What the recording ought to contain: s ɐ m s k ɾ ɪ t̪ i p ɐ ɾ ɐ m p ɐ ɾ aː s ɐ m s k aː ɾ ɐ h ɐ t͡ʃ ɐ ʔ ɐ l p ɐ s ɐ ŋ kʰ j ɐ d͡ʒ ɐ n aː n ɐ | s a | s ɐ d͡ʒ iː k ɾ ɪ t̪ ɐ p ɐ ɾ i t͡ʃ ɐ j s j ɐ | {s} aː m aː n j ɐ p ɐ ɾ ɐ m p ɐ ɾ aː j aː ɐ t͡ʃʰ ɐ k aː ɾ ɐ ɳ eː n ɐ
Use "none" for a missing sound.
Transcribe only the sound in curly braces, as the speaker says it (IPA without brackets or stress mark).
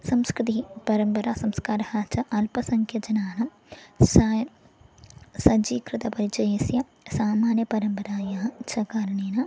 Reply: s